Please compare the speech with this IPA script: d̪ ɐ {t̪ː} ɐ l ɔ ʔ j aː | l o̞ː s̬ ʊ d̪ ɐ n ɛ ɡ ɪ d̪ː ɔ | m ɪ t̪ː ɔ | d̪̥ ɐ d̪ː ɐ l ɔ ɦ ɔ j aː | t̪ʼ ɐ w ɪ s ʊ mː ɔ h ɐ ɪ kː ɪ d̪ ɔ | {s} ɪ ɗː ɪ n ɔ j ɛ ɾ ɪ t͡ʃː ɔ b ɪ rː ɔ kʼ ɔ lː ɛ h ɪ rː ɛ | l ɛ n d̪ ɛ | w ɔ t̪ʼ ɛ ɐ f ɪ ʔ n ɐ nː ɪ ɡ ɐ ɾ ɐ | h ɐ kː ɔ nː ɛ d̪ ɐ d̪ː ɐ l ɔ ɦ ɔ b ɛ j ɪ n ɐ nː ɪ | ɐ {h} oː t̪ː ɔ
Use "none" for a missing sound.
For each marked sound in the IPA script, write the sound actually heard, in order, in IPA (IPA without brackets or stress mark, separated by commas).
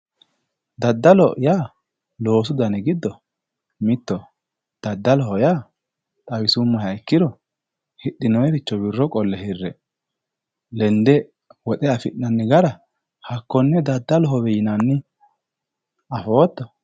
d̪ː, h, f